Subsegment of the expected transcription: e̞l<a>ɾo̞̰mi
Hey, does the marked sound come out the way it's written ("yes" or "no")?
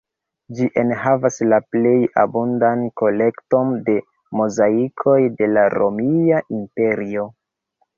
yes